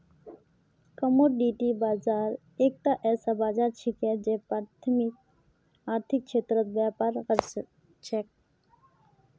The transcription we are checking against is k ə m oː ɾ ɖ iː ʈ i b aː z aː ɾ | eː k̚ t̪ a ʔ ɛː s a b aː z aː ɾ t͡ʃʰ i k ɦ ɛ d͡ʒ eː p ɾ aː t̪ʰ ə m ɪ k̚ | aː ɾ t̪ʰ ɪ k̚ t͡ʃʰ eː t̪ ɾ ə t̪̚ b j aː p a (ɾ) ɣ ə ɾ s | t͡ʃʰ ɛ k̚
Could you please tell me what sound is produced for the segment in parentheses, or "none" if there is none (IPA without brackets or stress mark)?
ɾ